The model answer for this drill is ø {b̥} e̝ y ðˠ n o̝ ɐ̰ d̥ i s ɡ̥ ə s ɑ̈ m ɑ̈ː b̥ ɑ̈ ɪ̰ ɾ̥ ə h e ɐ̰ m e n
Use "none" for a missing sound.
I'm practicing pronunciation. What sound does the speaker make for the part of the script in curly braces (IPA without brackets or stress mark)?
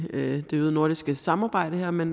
d̥